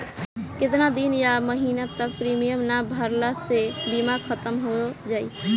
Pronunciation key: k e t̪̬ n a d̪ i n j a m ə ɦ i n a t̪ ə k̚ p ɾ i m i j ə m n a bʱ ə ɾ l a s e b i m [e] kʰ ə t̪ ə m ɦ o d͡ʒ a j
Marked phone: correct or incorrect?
incorrect